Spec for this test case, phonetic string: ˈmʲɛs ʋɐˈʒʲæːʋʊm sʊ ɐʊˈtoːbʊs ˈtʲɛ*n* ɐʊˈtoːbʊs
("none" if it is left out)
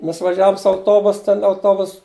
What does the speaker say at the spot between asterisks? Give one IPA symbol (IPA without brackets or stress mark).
n